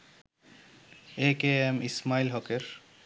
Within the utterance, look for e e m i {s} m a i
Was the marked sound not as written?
no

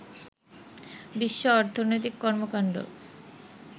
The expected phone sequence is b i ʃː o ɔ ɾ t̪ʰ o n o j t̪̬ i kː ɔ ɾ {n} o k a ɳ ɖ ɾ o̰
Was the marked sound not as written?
yes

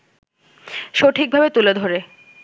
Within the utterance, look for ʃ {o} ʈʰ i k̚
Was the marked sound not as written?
no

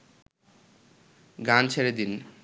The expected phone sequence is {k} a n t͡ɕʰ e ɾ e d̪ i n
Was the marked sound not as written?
yes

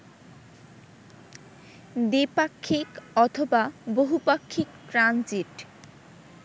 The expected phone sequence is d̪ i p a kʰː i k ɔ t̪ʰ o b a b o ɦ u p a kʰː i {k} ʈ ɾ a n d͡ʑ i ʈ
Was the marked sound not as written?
no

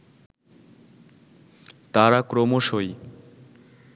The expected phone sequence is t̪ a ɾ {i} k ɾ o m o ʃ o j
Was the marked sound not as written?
yes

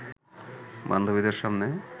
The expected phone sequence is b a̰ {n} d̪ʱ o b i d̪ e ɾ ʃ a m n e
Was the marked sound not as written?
no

